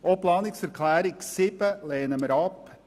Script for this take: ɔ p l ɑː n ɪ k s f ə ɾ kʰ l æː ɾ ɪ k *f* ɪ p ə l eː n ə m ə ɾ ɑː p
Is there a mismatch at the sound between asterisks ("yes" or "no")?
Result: yes